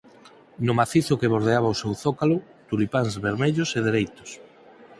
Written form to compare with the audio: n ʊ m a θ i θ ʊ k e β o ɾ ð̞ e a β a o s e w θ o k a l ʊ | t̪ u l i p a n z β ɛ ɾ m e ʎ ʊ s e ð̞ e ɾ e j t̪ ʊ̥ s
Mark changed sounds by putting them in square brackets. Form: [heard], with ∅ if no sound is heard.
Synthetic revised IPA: n ʊ m a θ i θ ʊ k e β o ɾ ð̞ e a β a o s e w θ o k a l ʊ | t̪ u l i p a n z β [e] ɾ m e ʎ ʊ s e ð̞ e ɾ e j t̪ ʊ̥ s